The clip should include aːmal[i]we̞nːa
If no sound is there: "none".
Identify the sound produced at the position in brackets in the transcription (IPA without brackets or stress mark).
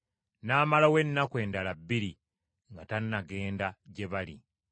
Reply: a